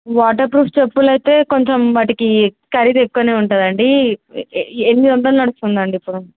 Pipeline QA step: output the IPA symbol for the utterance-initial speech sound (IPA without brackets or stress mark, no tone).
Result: ʋ